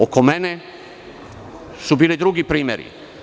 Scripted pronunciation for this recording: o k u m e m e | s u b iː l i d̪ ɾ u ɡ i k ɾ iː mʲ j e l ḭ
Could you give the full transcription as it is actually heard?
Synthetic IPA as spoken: o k o m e n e | s u b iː l i d̪ ɾ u ɡ i p ɾ iː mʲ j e ɾ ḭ

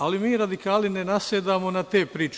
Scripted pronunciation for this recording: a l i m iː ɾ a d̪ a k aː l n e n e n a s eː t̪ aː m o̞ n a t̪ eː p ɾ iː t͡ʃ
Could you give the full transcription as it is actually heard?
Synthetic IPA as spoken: a l i m iː ɾ a d̪ i k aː l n i n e n a s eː d̪ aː m o̞ n a t̪ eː p ɾ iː t͡ʃ

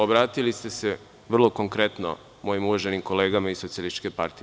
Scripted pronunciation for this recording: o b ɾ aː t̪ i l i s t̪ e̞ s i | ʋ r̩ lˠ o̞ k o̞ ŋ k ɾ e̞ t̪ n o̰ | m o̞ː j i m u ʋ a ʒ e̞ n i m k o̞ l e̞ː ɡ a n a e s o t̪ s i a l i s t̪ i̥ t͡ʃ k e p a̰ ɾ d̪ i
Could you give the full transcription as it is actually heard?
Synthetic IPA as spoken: o b ɾ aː t̪ i l i s t̪ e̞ s e | ʋ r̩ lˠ o̞ k o̞ ŋ k ɾ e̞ t̪ n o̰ | m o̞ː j i m u ʋ a ʒ e̞ n i m k o̞ l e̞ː ɡ a m a i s o t̪ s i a l i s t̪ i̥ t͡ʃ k e p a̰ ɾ t̪ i

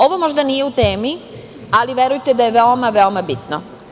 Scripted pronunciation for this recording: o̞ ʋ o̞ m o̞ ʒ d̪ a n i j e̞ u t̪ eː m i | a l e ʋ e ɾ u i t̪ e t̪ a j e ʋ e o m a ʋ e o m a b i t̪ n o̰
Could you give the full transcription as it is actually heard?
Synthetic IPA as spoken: o̞ ʋ o̞ m o̞ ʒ d̪ a n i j e̞ u t̪ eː m i | a l i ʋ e ɾ u j t̪ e d̪ a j e ʋ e o m a ʋ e o m a b i t̪ n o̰

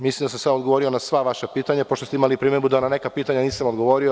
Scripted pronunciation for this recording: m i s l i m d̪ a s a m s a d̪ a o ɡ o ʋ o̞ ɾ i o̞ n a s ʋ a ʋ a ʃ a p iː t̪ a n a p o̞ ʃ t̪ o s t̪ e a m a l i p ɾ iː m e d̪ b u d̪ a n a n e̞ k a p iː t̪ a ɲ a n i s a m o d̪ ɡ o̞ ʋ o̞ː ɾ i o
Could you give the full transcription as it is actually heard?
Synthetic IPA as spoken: m i s l i m d̪ a s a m s a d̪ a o ɡ o ʋ o̞ ɾ i o̞ n a s ʋ a ʋ a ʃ a p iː t̪ a ɲ a p o̞ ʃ t̪ o s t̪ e i m a l i p ɾ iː m e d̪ b u d̪ a n a n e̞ k a p iː t̪ a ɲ a n iː s a m o d̪ ɡ o̞ ʋ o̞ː ɾ i o

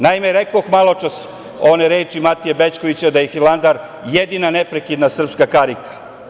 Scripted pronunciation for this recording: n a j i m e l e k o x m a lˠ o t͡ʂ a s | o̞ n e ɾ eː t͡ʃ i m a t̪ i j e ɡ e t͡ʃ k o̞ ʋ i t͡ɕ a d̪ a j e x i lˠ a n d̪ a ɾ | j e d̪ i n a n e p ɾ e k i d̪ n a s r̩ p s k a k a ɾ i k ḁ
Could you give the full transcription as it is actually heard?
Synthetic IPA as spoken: n a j i m e ɾ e k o x m a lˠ o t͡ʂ a s | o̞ n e ɾ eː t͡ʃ i m a t̪ i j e b e t͡ʃ k o̞ ʋ i t͡ɕ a d̪ a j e x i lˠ a n d̪ a ɾ | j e d̪ i n a n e p ɾ e k i d̪ n a s r̩ p s k a k a ɾ i k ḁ

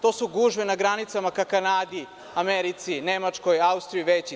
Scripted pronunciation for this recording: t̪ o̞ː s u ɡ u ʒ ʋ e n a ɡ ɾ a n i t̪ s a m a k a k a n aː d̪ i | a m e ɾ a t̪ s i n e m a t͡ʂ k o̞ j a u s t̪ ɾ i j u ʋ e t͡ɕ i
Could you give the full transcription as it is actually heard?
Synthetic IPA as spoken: t̪ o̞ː s u ɡ u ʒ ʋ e n a ɡ ɾ a n i t̪ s a m a k a k a n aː d̪ i | a m e ɾ i t̪ s i n e m a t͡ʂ k o̞ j a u s t̪ ɾ i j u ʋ e t͡ɕ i

